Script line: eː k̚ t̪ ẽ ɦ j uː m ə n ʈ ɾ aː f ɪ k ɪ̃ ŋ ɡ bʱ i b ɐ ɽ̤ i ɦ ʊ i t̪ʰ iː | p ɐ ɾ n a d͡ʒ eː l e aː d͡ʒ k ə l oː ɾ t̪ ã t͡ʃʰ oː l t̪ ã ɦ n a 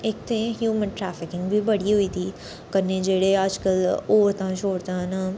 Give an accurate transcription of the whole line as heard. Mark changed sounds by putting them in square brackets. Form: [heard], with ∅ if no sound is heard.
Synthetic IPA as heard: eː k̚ t̪ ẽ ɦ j uː m ə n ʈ ɾ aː f ɪ k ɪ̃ ŋ ɡ bʱ i b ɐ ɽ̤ i ɦ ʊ i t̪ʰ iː | [k] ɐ ɾ n [e] d͡ʒ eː [ɽ] e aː d͡ʒ k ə l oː ɾ t̪ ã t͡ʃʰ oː [ɽ] t̪ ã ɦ n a